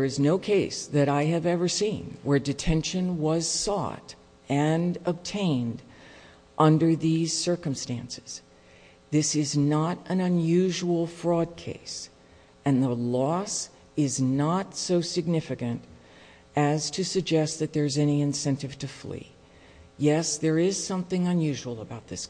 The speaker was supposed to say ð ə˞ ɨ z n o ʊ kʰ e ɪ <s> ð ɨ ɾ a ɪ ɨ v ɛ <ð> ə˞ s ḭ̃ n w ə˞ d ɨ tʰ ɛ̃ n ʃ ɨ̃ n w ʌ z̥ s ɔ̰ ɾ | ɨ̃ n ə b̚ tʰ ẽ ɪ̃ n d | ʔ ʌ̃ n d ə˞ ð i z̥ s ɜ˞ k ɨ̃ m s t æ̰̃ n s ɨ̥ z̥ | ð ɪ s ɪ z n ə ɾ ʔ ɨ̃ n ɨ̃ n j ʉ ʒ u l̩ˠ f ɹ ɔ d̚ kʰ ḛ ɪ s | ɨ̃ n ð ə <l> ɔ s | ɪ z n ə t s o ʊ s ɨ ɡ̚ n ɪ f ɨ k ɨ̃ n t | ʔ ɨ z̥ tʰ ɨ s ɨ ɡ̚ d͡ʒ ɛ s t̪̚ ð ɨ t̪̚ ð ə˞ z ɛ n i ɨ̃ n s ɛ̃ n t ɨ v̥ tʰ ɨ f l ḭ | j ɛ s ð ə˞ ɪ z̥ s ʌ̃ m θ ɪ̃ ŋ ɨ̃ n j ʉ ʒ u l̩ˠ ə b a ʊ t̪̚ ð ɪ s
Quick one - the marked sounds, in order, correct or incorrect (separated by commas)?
correct, incorrect, correct